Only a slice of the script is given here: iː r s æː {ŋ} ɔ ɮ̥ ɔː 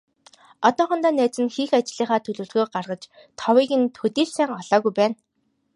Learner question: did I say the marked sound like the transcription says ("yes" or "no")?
yes